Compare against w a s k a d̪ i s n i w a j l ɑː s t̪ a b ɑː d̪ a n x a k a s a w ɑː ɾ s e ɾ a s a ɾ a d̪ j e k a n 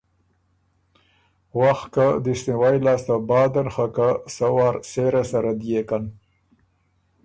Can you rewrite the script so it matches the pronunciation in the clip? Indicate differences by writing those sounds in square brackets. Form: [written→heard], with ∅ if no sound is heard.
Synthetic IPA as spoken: w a [s→x] k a d̪ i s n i w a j l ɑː s t̪ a b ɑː d̪ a n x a k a s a w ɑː ɾ s e ɾ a s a ɾ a d̪ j e k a n